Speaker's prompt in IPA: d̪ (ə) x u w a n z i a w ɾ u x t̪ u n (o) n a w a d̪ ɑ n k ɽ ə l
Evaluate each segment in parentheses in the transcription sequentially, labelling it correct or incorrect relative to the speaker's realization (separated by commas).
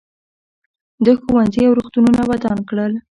correct, incorrect